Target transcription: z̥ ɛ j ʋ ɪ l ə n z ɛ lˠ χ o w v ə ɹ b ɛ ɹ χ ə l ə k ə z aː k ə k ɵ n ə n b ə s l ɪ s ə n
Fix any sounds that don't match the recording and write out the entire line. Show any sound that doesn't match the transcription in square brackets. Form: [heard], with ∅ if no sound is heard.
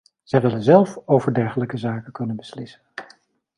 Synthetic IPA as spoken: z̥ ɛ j ʋ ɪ l ə n z ɛ lˠ [f] o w v ə ɹ [d] ɛ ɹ χ ə l ə k ə z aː k ə k ɵ n ə n b ə s l ɪ s ə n